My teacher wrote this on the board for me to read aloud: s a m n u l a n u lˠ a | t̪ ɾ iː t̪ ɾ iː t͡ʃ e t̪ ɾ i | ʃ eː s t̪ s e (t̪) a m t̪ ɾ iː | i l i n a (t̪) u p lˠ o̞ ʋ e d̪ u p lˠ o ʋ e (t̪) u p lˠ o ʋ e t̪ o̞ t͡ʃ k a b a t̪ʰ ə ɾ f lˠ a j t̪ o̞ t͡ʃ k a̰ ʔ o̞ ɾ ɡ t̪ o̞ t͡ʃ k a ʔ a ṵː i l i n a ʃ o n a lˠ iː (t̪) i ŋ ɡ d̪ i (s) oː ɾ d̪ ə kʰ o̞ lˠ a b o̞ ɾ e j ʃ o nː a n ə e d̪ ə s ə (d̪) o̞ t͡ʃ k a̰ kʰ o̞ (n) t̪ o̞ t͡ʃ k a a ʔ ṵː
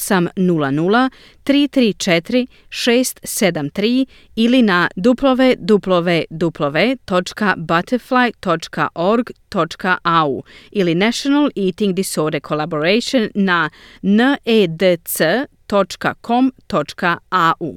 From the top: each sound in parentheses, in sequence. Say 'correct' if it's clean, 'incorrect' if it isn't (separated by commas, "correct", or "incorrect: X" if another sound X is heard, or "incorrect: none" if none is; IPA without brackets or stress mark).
incorrect: d̪, incorrect: d̪, incorrect: d̪, correct, correct, incorrect: t̪, incorrect: m